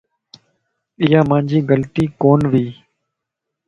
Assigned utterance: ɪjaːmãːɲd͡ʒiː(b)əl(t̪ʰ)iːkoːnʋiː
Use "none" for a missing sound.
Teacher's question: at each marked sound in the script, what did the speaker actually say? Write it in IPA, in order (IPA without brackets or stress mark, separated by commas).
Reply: ɡ, t̪